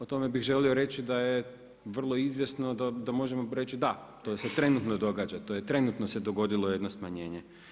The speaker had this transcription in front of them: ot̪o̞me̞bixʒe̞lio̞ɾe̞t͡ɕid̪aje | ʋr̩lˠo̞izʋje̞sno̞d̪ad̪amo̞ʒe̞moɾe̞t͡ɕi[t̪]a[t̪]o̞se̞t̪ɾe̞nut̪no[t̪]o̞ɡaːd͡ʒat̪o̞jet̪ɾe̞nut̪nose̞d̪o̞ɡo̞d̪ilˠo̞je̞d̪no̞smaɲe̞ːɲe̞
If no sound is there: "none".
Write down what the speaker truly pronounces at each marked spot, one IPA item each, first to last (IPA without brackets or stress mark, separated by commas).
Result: d̪, t̪, d̪